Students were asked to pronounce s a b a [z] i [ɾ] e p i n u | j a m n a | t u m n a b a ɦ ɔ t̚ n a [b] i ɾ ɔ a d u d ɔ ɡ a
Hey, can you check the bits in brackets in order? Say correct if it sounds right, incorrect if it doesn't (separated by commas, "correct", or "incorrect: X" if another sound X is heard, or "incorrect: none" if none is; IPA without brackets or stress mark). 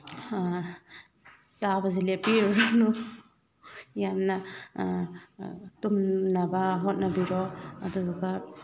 correct, incorrect: l, correct